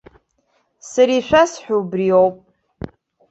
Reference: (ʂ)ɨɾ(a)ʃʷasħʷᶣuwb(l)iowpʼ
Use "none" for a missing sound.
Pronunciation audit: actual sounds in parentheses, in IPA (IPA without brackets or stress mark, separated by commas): s, i, r